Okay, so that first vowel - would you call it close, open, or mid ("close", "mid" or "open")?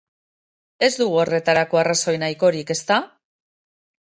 mid